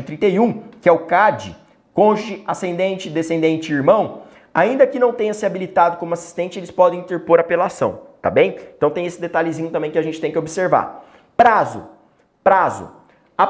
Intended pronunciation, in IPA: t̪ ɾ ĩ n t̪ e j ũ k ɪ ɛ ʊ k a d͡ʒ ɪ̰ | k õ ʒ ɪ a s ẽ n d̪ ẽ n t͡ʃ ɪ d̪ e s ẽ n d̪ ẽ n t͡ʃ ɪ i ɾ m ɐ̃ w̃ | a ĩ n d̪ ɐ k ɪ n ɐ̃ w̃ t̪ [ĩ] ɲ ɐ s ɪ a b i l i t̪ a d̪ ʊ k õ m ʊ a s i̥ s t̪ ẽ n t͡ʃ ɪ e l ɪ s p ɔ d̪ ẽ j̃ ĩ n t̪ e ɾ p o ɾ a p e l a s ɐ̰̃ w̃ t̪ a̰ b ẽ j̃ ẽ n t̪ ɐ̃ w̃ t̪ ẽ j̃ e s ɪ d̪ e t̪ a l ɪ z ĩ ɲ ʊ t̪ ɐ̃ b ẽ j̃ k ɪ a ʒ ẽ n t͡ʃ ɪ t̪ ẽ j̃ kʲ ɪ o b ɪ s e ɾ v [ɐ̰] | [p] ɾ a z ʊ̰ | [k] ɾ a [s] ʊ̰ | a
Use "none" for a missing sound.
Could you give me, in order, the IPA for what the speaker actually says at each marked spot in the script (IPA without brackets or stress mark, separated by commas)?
ẽ, a̰, p, p, z